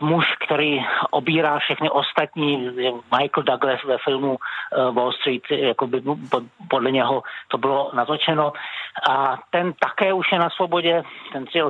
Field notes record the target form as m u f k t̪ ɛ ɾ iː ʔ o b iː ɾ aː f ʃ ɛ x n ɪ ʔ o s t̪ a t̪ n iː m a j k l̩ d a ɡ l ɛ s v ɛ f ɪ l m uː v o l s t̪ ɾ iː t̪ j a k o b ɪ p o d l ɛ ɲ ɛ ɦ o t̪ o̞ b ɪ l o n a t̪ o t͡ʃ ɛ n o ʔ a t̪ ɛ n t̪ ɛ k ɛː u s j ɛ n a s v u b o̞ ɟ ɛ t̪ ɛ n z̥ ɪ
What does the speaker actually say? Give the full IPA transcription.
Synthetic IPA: m u ʃ k t̪ ɛ ɾ iː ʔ o b iː ɾ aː f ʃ ɛ x n ɪ ʔ o s t̪ a t̪ ɲ iː m a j k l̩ d a ɡ l ɛ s v ɛ f ɪ l m u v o l s t̪ ɾ iː t̪ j a k o b ɪ p o d l ɛ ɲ ɛ ɦ o t̪ o̞ b ɪ l o n a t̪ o t͡ʃ ɛ n o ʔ a t̪ ɛ n t̪ a k ɛː u ʃ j ɛ n a s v o b o̞ ɟ ɛ t̪ ɛ n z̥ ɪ